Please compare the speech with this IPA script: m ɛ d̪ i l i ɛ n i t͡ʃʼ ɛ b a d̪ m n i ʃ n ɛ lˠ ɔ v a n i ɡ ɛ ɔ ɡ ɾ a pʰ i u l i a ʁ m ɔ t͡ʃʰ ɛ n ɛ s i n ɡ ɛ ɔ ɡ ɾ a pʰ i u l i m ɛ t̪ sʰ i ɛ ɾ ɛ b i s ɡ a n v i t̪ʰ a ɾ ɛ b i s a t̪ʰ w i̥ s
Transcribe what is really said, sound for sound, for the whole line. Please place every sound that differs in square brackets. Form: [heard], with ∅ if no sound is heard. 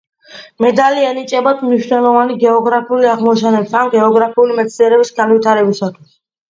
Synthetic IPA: m ɛ d̪ [a] l i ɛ n i t͡ʃʼ ɛ b a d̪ m n i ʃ n ɛ lˠ ɔ v a n i ɡ ɛ ɔ ɡ ɾ a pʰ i u l i a ʁ m ɔ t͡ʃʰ ɛ n ɛ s [a] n ɡ ɛ ɔ ɡ ɾ a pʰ i u l i m ɛ t̪ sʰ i ɛ ɾ ɛ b i s ɡ a n v i t̪ʰ a ɾ ɛ b i s a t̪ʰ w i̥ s